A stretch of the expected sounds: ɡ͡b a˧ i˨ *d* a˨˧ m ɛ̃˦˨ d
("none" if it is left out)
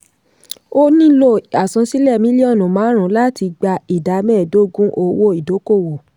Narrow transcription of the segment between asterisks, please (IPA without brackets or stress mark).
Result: d